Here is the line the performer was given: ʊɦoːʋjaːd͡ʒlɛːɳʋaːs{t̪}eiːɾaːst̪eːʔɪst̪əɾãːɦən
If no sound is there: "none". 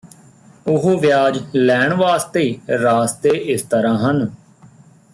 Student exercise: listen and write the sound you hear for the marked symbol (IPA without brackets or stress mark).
t̪